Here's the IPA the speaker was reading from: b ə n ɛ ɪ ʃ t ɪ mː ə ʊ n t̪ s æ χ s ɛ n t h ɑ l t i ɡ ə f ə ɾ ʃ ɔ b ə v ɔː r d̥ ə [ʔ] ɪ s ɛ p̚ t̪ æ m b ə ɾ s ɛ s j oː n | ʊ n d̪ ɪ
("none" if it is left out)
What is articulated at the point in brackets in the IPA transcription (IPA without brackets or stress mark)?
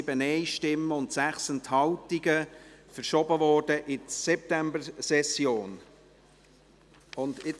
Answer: ʔ